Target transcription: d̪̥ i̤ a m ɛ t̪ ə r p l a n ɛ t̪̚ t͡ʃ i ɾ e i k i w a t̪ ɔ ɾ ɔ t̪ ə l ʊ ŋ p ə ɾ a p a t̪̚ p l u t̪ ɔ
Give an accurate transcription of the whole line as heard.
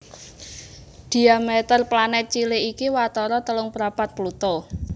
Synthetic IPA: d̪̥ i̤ a m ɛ t̪ ə r p l a n ɛ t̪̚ t͡ʃ i l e i k i w a t̪ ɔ ɾ ɔ t̪ ə l ʊ ŋ p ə ɾ a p a t̪̚ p l u t̪ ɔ